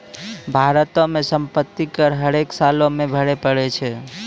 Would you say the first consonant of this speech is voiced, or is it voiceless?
voiced